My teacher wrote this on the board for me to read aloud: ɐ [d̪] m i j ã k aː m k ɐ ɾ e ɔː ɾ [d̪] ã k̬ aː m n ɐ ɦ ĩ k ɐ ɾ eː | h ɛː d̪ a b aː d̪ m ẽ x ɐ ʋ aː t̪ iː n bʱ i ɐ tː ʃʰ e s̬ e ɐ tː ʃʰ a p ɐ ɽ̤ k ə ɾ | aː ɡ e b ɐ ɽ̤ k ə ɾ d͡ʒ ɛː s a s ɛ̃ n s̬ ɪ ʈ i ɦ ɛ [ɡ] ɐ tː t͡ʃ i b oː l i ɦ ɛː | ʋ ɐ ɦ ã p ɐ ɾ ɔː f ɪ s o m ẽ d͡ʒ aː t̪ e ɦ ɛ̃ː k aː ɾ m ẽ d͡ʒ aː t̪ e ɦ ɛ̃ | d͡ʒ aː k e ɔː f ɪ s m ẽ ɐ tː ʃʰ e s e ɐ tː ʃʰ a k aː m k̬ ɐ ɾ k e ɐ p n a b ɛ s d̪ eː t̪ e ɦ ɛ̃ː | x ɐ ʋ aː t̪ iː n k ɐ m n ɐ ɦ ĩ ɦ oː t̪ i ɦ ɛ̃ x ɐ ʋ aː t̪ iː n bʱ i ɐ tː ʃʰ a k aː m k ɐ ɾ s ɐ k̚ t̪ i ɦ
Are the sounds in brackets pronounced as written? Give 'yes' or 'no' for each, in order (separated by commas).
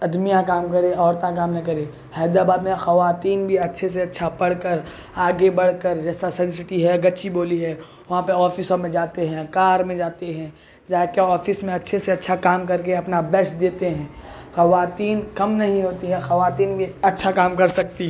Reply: yes, no, yes